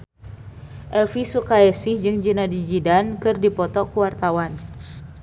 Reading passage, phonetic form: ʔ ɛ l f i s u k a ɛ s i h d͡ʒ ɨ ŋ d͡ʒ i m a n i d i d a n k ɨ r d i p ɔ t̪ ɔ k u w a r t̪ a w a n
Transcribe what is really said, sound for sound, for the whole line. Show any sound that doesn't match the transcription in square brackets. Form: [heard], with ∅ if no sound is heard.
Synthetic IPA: ʔ ɛ l f i s u k a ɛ s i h d͡ʒ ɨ ŋ d͡ʒ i [n] a [d] i [d͡ʒ] i d a n k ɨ r d i p ɔ t̪ ɔ k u w a r t̪ a w a n